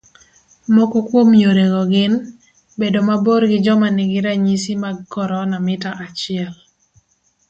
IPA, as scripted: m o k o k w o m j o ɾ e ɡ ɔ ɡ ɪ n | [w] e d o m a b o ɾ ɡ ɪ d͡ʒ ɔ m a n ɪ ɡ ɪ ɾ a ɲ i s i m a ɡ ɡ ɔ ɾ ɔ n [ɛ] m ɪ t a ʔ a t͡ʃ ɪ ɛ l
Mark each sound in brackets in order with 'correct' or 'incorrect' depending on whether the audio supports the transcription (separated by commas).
incorrect, incorrect